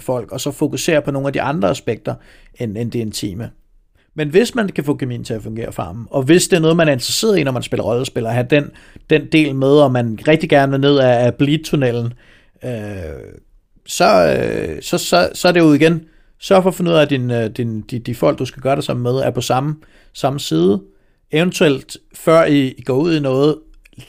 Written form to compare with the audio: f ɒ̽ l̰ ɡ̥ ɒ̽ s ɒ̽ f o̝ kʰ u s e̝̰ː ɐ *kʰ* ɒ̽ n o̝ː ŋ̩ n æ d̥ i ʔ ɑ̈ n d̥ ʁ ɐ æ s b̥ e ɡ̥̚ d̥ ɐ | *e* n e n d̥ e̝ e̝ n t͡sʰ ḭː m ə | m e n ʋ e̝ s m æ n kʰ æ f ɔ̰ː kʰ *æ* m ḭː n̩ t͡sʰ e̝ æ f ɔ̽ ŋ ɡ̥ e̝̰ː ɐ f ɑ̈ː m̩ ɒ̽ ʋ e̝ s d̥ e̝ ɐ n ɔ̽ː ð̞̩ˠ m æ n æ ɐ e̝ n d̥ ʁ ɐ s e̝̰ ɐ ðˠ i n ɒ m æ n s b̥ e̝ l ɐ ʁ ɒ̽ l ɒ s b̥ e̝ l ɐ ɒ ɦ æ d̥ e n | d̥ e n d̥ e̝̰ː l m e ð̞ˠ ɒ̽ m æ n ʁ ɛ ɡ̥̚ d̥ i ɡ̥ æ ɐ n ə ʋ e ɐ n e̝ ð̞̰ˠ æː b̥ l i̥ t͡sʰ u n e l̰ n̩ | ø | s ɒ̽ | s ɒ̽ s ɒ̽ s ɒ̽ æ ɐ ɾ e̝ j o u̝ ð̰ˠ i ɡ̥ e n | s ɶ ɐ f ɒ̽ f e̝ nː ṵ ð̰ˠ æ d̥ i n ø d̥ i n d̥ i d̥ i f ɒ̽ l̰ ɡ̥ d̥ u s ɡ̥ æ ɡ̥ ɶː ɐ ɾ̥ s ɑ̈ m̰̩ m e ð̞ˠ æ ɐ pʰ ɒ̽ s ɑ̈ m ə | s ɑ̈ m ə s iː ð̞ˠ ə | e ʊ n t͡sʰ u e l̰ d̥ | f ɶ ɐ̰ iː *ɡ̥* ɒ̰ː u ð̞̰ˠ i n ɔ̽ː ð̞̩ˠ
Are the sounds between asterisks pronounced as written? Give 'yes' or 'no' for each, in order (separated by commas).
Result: no, yes, yes, yes